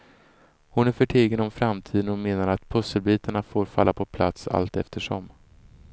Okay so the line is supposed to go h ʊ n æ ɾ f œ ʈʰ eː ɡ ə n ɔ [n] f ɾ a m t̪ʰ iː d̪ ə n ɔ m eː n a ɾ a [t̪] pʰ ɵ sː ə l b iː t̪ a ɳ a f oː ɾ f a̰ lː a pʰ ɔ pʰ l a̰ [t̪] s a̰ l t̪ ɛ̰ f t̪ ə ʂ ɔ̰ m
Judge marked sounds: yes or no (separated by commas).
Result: no, yes, yes